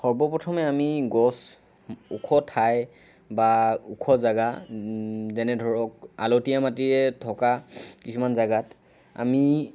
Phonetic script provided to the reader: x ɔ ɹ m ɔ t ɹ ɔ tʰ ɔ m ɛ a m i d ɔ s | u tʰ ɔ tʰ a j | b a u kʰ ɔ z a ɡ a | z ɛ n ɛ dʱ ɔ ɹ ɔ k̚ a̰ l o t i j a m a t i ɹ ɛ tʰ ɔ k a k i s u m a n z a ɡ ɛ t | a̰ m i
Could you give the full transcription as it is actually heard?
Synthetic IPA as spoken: x ɔ ɹ b ɔ p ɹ ɔ tʰ ɔ m ɛ a m i ɡ ɔ s | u kʰ ɔ tʰ a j | b a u kʰ ɔ z a ɡ a | z ɛ n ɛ dʱ ɔ ɹ ɔ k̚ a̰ l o t i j a m a t i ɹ ɛ tʰ ɔ k a k i s u m a n z a ɡ a t | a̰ m i

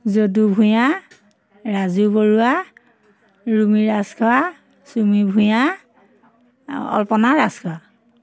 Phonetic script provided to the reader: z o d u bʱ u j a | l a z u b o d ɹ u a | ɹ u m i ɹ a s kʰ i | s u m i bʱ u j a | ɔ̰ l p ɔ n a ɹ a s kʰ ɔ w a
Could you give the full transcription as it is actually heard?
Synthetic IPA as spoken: z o d u bʱ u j a | ɹ a z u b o ɹ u a | ɹ u m i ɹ a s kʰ a | s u m i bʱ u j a | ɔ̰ l p ɔ n a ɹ a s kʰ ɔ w a

